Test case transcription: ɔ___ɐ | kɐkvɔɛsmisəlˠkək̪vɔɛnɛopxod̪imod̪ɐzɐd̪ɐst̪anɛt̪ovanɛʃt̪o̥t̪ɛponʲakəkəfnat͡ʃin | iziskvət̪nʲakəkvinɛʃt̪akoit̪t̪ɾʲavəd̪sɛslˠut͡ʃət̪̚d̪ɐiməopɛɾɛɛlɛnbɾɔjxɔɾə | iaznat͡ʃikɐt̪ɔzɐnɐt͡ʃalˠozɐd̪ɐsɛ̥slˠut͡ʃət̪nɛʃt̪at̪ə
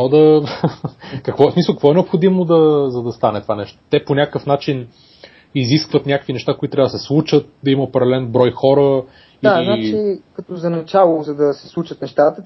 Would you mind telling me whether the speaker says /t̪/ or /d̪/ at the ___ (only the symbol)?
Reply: d̪